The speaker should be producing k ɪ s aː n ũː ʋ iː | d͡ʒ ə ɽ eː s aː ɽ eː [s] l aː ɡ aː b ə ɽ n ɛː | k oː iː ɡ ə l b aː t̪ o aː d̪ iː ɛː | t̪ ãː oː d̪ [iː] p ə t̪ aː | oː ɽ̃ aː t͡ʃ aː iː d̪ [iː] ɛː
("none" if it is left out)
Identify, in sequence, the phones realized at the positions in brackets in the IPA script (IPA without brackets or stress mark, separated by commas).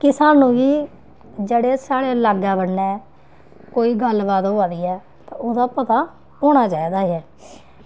none, aː, aː